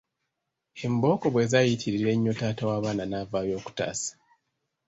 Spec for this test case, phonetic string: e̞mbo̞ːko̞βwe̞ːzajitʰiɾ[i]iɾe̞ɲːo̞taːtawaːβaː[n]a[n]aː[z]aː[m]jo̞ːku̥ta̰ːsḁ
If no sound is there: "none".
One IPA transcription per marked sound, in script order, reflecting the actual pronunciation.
i, n, n, v, none

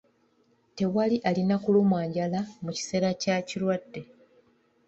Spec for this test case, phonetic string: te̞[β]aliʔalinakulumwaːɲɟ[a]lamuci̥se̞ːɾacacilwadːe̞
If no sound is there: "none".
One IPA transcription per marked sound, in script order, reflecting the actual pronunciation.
w, a

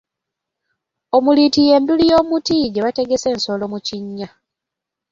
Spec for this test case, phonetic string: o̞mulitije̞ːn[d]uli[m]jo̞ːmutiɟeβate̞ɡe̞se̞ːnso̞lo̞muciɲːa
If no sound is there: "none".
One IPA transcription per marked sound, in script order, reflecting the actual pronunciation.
d, none

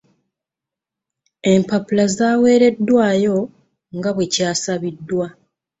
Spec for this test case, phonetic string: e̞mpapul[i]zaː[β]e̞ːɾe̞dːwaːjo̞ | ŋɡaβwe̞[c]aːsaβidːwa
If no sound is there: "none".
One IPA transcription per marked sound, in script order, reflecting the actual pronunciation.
a, w, c

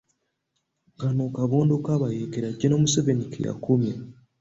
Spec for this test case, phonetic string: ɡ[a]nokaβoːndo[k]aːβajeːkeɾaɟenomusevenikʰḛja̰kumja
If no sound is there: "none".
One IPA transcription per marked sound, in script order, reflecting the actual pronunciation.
a, k

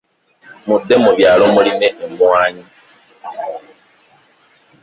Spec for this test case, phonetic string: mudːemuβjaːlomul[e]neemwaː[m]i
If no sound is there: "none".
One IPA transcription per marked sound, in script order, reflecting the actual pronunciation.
i, ɲ

